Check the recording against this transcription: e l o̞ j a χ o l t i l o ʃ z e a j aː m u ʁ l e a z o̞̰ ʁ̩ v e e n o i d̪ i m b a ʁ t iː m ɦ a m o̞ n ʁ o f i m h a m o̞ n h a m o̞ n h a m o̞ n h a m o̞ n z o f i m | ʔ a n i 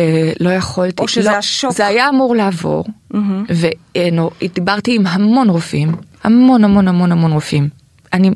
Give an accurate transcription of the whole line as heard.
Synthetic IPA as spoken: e l o̞ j a χ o l t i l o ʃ z e a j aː m u ʁ l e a v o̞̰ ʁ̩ v e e n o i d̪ i b a ʁ t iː m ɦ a m o̞ n ʁ o f i m h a m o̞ n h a m o̞ n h a m o̞ n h a m o̞ n ʁ o f i m | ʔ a n i